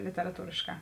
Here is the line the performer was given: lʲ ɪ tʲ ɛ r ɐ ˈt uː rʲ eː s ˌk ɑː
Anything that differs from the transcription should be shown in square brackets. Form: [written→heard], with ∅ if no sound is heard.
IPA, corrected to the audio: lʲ ɪ tʲ ɛ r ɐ ˈt uː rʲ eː [s→ʃ] ˌk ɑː